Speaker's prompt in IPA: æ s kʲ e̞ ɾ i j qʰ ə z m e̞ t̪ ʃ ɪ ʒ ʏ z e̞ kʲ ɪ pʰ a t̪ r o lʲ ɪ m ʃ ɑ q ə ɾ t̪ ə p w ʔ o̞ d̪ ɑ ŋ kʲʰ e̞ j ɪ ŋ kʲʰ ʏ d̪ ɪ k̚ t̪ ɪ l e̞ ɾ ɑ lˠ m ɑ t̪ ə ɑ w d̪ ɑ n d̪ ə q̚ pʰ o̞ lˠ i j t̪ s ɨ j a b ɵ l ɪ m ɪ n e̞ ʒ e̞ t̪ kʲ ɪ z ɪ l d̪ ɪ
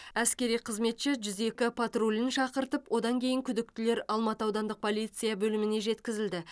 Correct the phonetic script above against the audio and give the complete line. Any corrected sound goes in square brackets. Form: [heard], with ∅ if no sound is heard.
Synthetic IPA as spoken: æ s kʲ e̞ ɾ i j qʰ ə z m e̞ t̪ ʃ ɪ ʒ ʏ z e̞ kʲ ɪ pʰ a t̪ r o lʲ ɪ [n] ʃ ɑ q ə ɾ t̪ ə p w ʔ o̞ d̪ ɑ ŋ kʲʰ e̞ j ɪ ŋ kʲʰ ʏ d̪ ɪ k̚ t̪ ɪ l e̞ ɾ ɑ lˠ m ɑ t̪ ə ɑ w d̪ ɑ n d̪ ə q̚ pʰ o̞ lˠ i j t̪ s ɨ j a b ɵ l ɪ m ɪ n e̞ ʒ e̞ t̪ kʲ ɪ z ɪ l d̪ ɪ

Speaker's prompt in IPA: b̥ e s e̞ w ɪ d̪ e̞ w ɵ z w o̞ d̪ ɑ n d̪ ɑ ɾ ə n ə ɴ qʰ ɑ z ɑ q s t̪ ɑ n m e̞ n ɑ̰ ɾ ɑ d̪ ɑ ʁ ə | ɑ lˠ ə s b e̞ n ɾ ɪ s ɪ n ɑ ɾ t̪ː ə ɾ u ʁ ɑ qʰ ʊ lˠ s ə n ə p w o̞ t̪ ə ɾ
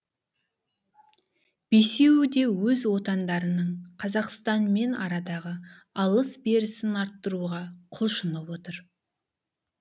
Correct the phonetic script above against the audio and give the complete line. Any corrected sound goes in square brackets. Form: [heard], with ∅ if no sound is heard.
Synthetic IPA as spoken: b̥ e s e̞ w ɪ d̪ e̞ w ɵ z w o̞ [t̪] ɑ n d̪ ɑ ɾ ə n ə ɴ qʰ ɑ z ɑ q s t̪ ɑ n m e̞ n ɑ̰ ɾ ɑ d̪ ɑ ʁ ə | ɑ lˠ ə s b e̞ [∅] ɾ ɪ s ɪ n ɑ ɾ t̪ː ə ɾ u ʁ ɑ qʰ ʊ lˠ [ʃ] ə n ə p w o̞ t̪ ə ɾ

